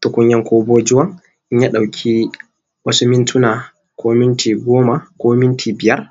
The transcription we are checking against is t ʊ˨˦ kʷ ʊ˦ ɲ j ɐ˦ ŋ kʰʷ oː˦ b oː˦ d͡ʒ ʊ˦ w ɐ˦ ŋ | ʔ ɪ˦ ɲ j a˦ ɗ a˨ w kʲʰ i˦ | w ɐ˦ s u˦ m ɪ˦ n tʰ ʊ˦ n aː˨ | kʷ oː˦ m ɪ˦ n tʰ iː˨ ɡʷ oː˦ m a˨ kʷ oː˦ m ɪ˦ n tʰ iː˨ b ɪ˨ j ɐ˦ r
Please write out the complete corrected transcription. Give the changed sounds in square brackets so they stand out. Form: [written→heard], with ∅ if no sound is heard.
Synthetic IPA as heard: t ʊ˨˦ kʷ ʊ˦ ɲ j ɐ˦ ŋ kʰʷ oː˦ b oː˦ d͡ʒ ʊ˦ w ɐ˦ ŋ | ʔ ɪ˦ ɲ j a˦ ɗ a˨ w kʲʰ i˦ | w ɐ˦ s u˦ m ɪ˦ n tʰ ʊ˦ n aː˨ | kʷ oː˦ m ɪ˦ n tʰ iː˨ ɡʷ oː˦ m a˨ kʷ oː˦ m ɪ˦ n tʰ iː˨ b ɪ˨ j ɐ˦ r